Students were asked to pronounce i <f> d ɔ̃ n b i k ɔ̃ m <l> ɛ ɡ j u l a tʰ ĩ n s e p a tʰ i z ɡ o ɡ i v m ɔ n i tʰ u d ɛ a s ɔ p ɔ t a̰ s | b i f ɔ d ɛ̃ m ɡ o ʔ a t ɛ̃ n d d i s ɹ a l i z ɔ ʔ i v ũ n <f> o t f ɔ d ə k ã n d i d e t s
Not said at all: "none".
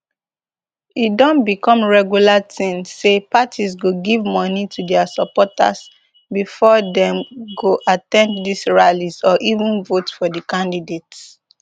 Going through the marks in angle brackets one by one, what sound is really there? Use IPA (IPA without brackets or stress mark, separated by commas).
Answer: none, ɹ, v